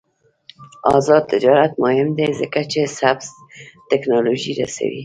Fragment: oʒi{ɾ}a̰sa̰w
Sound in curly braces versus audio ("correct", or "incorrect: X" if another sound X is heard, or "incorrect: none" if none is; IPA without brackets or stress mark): correct